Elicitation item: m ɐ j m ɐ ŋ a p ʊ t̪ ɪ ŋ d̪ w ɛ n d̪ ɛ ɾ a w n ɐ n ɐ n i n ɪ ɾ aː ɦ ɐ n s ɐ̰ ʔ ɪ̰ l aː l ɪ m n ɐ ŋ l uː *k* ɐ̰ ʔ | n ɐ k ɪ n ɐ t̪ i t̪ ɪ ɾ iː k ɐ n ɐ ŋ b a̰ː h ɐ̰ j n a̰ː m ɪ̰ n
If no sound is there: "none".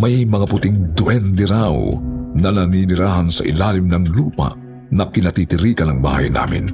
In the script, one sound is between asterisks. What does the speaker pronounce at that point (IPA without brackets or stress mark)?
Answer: p